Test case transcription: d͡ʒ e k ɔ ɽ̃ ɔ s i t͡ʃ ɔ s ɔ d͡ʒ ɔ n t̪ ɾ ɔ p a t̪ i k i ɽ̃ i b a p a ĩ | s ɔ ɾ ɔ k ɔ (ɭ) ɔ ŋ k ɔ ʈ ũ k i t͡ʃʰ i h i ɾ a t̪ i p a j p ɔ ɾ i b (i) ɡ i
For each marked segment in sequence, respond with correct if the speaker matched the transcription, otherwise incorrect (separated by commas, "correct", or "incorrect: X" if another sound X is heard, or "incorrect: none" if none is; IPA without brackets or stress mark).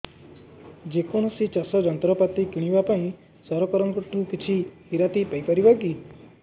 incorrect: ɾ, incorrect: a